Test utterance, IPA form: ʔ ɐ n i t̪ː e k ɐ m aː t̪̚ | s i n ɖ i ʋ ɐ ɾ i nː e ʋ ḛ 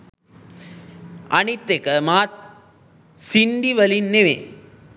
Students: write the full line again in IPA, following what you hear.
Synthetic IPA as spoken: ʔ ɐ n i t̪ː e k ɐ m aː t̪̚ | s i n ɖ i ʋ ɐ l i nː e ʋ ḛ